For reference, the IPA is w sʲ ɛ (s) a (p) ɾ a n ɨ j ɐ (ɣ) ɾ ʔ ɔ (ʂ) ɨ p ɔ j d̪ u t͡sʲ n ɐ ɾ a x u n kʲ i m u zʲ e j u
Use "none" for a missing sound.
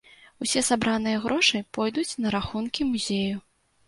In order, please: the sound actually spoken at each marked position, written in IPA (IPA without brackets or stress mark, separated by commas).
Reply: s, b, ɣ, ʂ